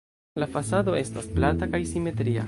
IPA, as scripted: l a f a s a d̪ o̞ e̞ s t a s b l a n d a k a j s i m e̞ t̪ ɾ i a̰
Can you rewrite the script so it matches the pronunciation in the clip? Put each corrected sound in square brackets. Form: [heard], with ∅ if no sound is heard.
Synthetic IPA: l a f a s a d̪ o̞ e̞ s t a s [p] l a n [t] a k a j s i m e̞ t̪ ɾ i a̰